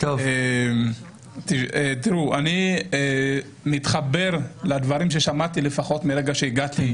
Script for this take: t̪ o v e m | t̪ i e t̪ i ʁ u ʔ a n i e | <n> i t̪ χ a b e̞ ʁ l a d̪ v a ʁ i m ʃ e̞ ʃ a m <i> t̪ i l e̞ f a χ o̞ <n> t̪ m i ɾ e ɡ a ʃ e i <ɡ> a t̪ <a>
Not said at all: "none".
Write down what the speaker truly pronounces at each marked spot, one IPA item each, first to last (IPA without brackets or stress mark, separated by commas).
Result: m, a, none, ɡ, i